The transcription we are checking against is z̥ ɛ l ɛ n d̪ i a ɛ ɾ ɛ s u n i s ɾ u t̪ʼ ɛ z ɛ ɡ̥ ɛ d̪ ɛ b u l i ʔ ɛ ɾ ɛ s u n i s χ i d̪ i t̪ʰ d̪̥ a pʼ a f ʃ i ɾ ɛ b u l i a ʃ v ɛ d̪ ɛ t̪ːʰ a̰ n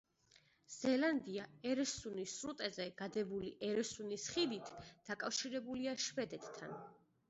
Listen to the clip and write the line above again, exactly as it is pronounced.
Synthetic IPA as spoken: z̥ ɛ l a n d̪ i a ɛ ɾ ɛ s u n i s ɾ u t̪ʼ ɛ z ɛ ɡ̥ a d̪ ɛ b u l i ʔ ɛ ɾ ɛ s u n i s χ i d̪ i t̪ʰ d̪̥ a kʼ a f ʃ i ɾ ɛ b u l i a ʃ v ɛ d̪ ɛ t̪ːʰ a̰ n